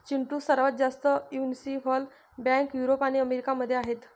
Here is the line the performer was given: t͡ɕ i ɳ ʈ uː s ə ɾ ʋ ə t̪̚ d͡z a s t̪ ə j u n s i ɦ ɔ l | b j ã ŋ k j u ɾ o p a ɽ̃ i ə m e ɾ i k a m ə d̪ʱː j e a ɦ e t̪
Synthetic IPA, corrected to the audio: t͡ɕ i ɳ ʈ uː s ə ɾ ʋ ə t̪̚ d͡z a s t̪ ə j u n s i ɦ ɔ l | b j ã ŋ k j u ɾ o p a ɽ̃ i ə m e ɾ i k a m ə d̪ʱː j e a ɦ e t̪